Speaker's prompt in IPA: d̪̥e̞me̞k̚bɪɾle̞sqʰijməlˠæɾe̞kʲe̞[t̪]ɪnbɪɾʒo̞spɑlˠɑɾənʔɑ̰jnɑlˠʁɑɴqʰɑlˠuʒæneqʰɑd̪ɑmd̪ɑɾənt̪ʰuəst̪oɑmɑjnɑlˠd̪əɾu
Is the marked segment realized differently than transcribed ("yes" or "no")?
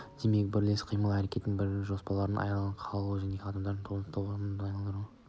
no